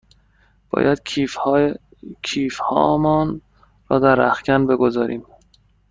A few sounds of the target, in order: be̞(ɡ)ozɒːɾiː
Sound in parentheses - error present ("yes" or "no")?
no